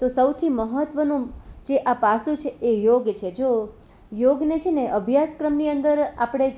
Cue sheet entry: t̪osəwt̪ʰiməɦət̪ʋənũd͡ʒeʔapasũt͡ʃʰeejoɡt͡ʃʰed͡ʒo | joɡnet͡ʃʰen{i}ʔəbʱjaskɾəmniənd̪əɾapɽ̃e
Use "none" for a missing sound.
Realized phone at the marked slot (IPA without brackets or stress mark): e